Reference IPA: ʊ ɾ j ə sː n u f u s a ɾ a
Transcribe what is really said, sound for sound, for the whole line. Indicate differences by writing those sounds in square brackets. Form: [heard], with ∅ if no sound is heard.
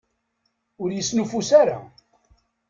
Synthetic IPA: ʊ ɾ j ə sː n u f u s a ɾ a